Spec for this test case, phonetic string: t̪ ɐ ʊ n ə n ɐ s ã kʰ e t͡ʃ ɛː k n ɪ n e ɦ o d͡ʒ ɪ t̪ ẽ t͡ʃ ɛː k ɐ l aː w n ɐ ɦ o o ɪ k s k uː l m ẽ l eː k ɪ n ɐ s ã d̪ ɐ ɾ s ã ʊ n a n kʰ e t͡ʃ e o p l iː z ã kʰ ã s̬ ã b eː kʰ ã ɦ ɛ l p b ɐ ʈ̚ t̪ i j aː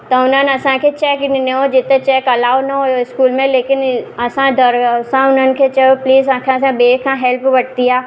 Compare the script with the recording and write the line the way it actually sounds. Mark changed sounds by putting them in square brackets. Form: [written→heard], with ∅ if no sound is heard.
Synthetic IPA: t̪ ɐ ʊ n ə n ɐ s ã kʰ e t͡ʃ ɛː k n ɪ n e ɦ o d͡ʒ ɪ t̪ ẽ t͡ʃ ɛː k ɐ l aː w n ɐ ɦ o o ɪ [k→∅] s k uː l m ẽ l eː k ɪ n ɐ s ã d̪ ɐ ɾ s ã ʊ n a n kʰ e t͡ʃ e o p l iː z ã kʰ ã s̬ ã b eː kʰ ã ɦ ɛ l p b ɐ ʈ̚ t̪ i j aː